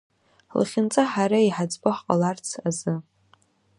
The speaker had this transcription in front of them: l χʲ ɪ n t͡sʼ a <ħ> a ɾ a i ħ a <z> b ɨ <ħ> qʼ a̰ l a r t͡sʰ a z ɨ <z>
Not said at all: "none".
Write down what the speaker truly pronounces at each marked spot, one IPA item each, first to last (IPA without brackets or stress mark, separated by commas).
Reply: ħ, d͡z, ħ, none